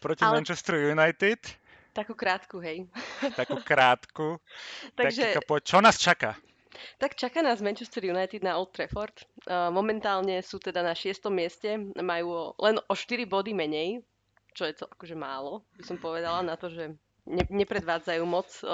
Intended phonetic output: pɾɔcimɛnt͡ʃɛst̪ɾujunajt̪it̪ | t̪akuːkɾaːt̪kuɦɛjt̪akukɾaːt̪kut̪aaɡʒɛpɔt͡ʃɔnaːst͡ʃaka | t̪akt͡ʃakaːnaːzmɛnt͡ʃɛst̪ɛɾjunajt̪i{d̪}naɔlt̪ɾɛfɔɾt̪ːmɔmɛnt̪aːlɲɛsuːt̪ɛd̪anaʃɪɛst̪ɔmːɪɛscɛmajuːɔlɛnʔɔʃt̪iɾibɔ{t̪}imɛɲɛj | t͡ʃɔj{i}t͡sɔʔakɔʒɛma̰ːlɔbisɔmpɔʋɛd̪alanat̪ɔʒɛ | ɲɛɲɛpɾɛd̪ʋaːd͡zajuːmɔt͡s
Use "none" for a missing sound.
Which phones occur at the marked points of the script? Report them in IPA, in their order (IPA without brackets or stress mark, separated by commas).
d̪, d̪, ɛ